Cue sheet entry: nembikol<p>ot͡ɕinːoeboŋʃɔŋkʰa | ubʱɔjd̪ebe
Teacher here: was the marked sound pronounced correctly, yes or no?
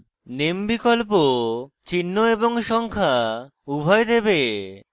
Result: yes